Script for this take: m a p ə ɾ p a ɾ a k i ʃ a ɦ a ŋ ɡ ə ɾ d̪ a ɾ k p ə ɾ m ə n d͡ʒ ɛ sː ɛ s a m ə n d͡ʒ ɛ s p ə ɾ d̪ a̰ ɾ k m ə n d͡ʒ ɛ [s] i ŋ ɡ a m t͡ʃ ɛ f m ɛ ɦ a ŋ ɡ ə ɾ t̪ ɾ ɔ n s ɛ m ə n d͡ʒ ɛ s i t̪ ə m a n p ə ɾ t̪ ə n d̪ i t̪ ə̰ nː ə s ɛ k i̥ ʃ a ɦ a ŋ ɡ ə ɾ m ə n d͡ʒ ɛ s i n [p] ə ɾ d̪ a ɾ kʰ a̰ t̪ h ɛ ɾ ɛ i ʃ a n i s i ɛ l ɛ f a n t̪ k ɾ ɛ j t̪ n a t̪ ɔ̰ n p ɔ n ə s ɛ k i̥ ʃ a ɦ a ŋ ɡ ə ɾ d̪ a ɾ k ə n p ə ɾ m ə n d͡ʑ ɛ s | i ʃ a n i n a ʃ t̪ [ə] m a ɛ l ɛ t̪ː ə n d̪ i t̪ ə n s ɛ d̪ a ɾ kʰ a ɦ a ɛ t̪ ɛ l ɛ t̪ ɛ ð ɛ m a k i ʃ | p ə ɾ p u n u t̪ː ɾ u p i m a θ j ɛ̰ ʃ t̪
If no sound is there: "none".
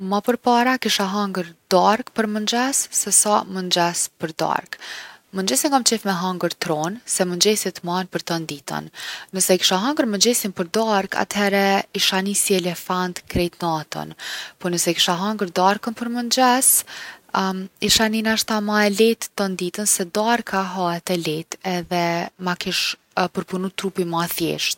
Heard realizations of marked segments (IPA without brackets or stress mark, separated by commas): s, p, a